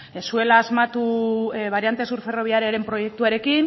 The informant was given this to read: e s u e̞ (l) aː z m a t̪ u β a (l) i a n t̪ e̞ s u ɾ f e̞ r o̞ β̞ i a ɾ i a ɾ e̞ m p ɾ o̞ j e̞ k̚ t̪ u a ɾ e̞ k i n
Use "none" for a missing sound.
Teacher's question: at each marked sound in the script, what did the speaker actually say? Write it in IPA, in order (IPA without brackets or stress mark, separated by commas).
l, ɾ